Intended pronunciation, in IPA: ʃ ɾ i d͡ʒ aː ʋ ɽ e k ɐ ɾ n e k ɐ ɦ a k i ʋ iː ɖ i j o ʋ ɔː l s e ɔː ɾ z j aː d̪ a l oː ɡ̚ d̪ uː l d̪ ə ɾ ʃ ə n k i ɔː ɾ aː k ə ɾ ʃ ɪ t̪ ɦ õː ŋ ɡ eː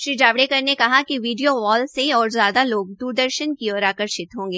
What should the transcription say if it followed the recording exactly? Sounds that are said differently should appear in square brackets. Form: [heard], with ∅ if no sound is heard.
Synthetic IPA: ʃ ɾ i d͡ʒ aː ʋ ɽ e k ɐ ɾ n e k ɐ ɦ a k i ʋ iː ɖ i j o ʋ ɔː l s e ɔː ɾ z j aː d̪ a l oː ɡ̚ d̪ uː [ɾ] d̪ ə ɾ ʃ ə n k i ɔː ɾ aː k ə ɾ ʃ ɪ t̪ ɦ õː ŋ ɡ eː

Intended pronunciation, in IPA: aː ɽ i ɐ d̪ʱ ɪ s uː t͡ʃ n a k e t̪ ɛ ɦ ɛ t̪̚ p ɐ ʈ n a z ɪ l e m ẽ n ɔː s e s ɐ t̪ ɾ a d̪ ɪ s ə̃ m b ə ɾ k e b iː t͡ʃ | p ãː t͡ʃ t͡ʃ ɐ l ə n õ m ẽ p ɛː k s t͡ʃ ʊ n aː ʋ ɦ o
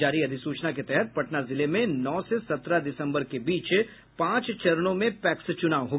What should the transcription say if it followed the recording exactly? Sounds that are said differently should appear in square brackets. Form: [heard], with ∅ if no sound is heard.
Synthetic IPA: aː [ɾ] i ɐ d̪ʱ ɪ s uː t͡ʃ n a k e t̪ ɛ ɦ ɛ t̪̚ p ɐ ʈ n a z ɪ l e m ẽ n ɔː s e s ɐ t̪ ɾ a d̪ ɪ s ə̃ m b ə ɾ k e b iː t͡ʃ | p ãː t͡ʃ t͡ʃ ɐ [ɾ] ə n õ m ẽ p ɛː k s t͡ʃ ʊ n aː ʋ ɦ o

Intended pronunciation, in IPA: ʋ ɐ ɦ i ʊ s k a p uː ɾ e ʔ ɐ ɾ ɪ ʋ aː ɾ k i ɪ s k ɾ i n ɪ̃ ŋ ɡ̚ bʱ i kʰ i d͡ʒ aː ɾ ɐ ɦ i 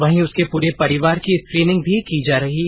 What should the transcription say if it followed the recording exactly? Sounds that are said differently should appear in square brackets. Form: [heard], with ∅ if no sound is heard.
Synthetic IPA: ʋ ɐ ɦ [ĩ] ʊ s k [e] p uː ɾ e [p] ɐ ɾ ɪ ʋ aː ɾ k i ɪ s k ɾ [iː] n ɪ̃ ŋ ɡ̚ bʱ i [k] i d͡ʒ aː ɾ ɐ ɦ i

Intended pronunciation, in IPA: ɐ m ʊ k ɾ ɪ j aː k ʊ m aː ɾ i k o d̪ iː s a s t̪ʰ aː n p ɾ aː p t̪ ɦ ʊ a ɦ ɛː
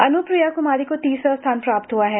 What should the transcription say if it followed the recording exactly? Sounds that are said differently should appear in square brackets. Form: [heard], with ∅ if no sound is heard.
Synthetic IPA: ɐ [n] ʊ [p] ɾ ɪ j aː k ʊ m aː ɾ i k o [t̪] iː s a s t̪ʰ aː n p ɾ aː p t̪ ɦ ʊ a ɦ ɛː

